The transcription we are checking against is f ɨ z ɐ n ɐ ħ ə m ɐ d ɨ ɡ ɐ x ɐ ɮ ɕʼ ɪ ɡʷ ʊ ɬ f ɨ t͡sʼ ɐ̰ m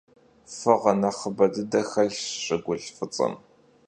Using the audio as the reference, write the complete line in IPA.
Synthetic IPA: f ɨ ʁ ɐ n ɐ χ ə b ɐ d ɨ d ɐ x ɐ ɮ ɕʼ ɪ ɡʷ ʊ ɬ f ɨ t͡sʼ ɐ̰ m